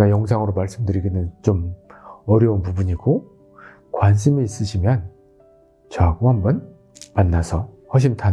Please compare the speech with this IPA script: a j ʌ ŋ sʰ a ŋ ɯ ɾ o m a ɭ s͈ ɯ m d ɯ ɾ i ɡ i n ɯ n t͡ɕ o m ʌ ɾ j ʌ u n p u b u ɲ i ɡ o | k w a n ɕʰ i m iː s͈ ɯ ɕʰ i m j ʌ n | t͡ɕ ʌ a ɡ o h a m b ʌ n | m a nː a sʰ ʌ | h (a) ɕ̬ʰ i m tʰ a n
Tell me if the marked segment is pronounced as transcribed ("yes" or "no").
no